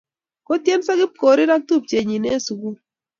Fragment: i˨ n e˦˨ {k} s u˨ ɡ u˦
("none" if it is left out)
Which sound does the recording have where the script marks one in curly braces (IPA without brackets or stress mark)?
none